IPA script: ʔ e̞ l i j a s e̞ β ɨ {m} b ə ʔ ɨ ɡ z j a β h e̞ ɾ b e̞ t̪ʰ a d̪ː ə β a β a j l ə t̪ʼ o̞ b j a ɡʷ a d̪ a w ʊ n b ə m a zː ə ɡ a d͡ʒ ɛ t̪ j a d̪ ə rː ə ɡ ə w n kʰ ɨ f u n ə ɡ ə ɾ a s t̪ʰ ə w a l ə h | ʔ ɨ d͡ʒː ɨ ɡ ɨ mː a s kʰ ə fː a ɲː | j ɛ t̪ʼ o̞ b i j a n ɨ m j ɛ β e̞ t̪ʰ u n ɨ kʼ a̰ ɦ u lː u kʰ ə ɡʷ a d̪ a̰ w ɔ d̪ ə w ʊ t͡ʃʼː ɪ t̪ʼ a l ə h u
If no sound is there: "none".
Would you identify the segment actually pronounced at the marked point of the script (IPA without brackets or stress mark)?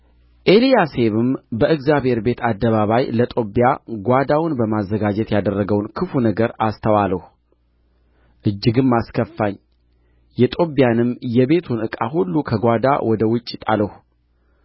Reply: m